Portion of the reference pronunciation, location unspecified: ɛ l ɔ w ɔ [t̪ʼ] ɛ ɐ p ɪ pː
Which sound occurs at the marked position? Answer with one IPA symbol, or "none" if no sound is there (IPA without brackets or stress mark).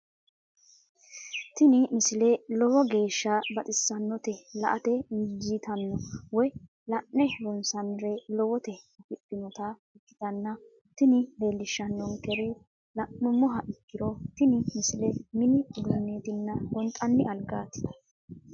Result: t̪